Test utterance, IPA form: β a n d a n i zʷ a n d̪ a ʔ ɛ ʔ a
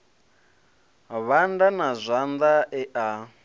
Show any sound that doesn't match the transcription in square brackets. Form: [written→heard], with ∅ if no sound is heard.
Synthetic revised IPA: β a n d a n [i→a] zʷ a n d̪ a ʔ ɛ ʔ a